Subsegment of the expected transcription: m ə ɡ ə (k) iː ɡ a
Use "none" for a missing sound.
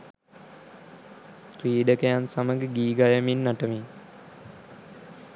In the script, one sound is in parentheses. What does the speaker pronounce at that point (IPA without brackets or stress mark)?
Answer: ɡ